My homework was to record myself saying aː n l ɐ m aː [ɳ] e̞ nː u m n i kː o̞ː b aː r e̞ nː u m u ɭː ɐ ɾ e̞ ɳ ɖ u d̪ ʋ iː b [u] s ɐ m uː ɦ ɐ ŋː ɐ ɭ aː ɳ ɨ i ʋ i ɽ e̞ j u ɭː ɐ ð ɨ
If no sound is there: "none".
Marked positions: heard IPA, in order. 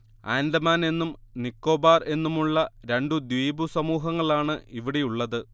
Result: n, u

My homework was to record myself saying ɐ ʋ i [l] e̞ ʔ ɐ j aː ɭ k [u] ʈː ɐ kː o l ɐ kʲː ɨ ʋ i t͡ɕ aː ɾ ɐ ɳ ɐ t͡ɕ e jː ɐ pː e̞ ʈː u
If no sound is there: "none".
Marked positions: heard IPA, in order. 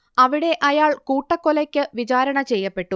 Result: ɽ, uː

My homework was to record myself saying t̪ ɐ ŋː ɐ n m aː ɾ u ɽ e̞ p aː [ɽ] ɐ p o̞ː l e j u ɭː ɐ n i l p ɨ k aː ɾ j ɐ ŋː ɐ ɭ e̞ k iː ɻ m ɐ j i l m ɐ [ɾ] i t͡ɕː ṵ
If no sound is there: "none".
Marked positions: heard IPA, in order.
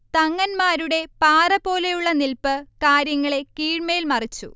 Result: r, r

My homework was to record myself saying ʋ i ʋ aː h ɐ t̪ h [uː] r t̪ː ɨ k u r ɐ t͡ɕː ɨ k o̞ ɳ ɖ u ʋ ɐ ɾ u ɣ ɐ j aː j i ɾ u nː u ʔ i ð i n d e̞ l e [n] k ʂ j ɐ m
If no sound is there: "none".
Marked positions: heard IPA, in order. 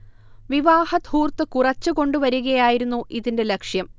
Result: uː, none

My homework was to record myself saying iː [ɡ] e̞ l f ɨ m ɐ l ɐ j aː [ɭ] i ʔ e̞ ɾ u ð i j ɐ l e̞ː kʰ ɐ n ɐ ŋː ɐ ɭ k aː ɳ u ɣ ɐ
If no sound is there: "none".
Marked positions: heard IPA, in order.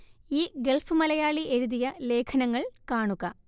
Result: ɡ, ɭ

